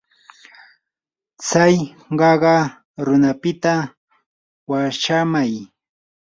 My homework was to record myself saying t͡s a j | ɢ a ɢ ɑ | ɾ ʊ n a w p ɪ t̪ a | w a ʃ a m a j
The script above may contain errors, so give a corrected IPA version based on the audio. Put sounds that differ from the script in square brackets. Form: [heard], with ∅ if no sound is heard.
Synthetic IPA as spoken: t͡s a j | ɢ [ɑ] ɢ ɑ | ɾ ʊ n a [∅] p ɪ t̪ a | w a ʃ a m a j